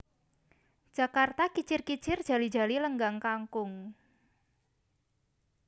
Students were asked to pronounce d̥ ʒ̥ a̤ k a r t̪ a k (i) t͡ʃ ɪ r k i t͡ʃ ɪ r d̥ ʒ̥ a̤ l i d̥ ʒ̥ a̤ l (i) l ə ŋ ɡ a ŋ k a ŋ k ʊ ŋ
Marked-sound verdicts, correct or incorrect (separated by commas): correct, correct